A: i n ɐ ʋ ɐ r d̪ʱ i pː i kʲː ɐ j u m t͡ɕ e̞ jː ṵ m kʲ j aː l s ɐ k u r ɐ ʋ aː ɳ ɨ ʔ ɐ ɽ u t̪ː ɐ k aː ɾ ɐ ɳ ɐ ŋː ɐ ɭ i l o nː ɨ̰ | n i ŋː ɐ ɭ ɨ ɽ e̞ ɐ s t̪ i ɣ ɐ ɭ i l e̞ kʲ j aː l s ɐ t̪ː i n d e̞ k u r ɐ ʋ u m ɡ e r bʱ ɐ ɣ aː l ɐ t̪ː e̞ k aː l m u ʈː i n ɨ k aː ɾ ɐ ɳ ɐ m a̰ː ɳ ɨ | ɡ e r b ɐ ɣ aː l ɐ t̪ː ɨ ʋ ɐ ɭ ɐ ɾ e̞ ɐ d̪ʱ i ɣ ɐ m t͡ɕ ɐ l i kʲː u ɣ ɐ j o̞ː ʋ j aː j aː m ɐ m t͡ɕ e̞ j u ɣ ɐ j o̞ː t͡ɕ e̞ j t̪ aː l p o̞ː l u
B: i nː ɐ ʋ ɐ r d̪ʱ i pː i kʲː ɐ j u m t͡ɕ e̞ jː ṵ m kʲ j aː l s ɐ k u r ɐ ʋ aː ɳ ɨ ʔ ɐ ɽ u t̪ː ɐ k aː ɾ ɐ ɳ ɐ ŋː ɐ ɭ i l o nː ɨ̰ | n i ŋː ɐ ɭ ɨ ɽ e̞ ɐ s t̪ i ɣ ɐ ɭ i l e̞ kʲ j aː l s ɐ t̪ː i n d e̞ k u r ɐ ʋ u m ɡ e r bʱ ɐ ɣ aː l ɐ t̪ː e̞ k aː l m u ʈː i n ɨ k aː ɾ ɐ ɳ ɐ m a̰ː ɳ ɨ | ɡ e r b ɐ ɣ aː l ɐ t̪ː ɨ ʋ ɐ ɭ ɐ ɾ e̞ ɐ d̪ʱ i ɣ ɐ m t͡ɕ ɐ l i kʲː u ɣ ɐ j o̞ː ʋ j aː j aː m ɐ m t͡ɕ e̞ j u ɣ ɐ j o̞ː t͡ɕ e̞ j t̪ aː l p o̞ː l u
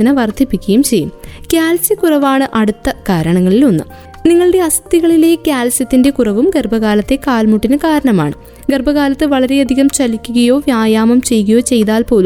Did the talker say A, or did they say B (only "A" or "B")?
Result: A